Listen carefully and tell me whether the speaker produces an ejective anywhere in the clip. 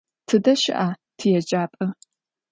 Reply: yes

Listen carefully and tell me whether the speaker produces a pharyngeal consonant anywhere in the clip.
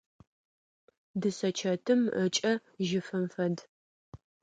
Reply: no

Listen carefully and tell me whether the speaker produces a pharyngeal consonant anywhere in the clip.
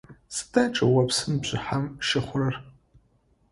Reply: yes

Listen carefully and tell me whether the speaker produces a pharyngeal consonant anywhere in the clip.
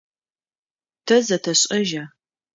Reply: no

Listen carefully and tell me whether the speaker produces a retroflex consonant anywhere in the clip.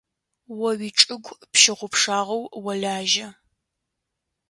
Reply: yes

